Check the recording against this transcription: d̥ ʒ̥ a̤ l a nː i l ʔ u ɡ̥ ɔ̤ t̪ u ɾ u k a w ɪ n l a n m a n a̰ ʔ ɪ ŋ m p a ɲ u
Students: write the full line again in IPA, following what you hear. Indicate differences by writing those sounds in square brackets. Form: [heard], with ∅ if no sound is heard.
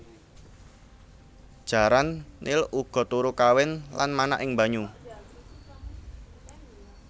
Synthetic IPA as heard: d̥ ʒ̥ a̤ [ɾ] a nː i l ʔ u ɡ̥ ɔ̤ t̪ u ɾ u k a w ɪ n l a n m a n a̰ ʔ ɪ ŋ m [b] a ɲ u